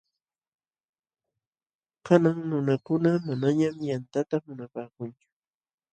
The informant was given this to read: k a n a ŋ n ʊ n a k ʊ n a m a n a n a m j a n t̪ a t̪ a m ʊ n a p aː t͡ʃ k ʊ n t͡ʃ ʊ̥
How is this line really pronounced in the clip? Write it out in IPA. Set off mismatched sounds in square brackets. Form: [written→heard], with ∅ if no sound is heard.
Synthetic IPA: k a n a ŋ n ʊ n a k ʊ n a m a n a [n→ɲ] a m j a n t̪ a t̪ a m ʊ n a p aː [t͡ʃ→∅] k ʊ n t͡ʃ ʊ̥